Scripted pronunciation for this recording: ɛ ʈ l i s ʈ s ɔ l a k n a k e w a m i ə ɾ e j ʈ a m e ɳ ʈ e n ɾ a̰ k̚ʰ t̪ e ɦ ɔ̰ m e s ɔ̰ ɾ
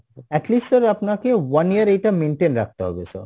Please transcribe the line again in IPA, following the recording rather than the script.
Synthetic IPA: ɛ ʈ l i s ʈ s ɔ ɾ a p n a k e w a n i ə ɾ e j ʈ a m e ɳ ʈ e n ɾ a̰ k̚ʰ t̪ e ɦ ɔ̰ b e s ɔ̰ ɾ